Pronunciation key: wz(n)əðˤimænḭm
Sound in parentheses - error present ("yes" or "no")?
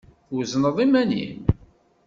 no